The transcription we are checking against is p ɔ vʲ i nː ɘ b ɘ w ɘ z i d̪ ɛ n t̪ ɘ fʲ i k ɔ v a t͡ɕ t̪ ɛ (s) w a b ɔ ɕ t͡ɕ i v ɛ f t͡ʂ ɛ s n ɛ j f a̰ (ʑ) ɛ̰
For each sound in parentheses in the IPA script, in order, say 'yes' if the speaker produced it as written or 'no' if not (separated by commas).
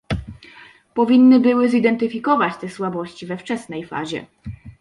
yes, yes